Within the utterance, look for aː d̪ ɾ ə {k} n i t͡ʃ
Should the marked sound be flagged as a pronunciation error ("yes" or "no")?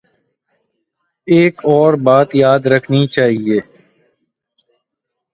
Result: yes